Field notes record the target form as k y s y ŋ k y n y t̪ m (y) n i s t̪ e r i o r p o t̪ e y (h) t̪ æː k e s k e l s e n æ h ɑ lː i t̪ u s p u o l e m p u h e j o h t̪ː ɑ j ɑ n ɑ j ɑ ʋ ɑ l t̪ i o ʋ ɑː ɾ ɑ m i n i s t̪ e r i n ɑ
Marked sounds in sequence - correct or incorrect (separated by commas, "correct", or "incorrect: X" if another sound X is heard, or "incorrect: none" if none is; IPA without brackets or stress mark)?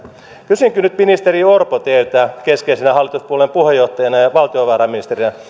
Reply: incorrect: i, incorrect: none